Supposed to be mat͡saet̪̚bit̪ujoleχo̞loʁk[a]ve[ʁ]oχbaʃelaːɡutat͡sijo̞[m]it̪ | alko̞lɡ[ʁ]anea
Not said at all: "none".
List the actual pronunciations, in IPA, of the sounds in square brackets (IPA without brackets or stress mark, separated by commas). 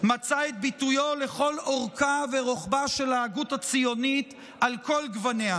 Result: a, ʁ, n, v